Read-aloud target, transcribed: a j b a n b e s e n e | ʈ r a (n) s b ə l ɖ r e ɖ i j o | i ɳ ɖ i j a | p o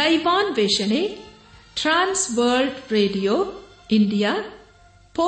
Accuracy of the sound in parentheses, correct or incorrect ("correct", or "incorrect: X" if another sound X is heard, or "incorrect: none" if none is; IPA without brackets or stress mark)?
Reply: correct